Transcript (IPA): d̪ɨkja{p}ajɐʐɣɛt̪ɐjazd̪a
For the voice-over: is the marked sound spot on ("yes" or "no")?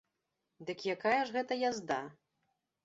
no